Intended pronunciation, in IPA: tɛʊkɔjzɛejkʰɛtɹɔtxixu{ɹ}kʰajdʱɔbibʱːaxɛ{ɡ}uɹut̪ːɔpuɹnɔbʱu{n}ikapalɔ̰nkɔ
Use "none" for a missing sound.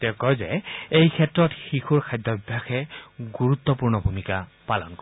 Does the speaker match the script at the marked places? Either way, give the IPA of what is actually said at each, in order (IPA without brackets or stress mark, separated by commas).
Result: ɹ, ɡ, m